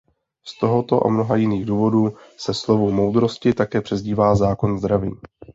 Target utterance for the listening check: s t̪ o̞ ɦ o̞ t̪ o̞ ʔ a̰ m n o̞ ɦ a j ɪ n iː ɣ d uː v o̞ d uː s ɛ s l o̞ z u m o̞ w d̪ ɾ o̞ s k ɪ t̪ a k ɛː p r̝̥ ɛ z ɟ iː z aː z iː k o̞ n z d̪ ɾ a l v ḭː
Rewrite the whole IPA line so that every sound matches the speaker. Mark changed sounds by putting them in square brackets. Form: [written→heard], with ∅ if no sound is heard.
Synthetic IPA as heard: s t̪ o̞ ɦ o̞ t̪ o̞ ʔ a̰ m n o̞ ɦ a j ɪ n iː ɣ d uː v o̞ d uː s ɛ s l o̞ [z→v] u m o̞ w d̪ ɾ o̞ s [k→c] ɪ t̪ a k ɛː p r̝̥ ɛ z ɟ iː [z→v] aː z [iː→aː] k o̞ n z d̪ ɾ a [l→∅] v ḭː